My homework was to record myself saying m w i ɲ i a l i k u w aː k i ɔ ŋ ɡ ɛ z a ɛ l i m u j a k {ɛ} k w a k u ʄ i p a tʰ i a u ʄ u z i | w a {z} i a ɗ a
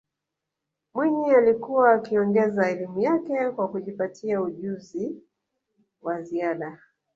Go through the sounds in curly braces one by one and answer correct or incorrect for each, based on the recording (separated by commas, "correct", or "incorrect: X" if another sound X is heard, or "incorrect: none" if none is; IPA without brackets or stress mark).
correct, correct